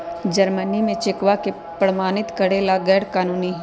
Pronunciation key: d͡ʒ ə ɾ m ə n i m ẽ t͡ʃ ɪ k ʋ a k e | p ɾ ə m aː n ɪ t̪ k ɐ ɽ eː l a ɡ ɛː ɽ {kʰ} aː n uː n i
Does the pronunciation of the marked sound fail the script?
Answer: yes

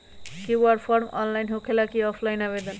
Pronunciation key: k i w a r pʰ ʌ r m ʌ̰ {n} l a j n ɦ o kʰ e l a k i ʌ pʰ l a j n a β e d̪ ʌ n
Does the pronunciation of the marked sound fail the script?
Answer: no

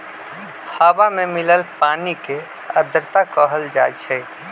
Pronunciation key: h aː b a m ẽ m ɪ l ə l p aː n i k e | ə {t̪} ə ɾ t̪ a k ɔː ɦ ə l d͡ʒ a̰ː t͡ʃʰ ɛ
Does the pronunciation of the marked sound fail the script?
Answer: yes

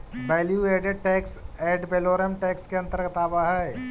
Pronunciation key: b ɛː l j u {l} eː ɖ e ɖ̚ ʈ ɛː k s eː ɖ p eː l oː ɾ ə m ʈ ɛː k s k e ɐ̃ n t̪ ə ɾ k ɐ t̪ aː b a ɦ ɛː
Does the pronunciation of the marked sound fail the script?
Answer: yes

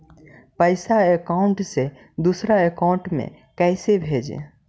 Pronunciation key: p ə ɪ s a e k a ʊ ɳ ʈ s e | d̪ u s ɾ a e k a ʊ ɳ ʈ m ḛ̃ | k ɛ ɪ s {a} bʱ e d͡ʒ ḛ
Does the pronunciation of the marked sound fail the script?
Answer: yes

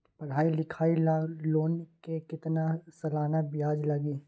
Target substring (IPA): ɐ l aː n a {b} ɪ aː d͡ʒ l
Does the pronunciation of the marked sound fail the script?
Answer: no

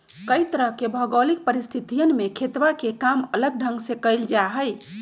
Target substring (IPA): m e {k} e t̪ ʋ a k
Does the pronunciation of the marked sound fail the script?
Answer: yes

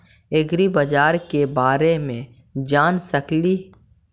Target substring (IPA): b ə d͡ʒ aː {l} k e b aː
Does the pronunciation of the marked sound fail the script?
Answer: yes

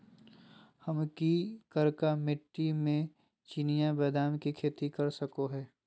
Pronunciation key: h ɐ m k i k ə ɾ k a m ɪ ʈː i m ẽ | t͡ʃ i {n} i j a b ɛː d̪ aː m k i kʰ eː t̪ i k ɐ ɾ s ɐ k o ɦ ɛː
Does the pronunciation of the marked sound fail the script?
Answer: no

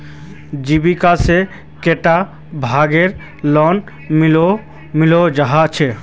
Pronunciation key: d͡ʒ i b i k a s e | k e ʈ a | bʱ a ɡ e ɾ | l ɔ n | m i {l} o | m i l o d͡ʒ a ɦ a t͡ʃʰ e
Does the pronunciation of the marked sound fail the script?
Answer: no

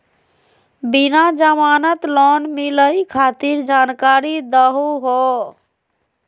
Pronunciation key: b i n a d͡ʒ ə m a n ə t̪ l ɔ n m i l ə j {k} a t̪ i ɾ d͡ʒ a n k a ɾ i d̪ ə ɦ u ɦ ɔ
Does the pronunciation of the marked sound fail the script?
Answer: yes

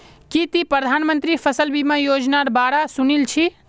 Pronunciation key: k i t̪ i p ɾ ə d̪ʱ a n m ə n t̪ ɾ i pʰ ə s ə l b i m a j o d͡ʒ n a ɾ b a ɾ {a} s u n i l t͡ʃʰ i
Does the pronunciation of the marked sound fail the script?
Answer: no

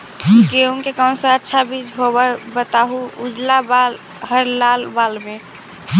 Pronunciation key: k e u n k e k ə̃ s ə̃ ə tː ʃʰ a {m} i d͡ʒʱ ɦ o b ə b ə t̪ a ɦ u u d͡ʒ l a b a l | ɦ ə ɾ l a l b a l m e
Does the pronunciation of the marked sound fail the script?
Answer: yes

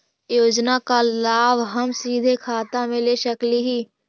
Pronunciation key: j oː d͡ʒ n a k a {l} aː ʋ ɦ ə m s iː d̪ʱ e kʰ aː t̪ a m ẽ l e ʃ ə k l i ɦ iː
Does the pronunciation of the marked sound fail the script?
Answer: no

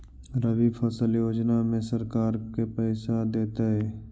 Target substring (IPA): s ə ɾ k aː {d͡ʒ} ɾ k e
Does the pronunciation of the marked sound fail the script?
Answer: yes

